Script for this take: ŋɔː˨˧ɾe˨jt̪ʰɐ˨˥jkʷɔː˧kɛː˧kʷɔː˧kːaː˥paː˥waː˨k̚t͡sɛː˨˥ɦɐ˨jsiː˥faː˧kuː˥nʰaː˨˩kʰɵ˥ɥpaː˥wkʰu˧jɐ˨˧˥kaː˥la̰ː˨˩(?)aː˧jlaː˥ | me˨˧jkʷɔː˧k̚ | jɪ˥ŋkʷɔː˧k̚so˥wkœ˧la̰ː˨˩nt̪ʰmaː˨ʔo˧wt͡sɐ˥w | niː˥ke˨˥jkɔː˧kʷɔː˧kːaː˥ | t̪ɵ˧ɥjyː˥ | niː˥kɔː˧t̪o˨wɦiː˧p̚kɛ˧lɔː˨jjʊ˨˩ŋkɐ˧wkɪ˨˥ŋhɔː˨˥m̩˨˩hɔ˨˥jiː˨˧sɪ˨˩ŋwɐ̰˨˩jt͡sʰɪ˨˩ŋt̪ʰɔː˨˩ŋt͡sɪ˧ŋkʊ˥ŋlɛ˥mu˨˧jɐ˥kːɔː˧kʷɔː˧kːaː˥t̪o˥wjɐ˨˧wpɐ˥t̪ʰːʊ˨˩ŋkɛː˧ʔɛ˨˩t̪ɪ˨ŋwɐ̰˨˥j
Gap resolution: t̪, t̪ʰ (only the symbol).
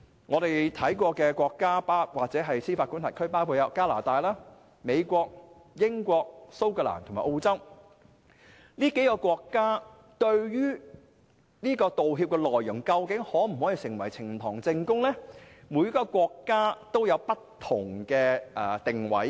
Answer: t̪